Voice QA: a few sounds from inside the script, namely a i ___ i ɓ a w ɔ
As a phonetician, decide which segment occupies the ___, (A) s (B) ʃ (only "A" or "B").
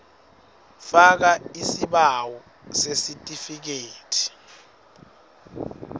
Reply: A